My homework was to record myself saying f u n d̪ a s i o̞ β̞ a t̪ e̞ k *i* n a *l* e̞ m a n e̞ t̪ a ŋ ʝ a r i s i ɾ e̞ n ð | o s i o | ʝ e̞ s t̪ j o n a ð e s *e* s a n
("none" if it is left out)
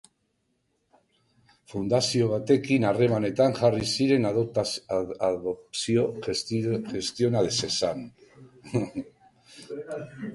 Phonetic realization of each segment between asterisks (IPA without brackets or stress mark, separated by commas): i, r, e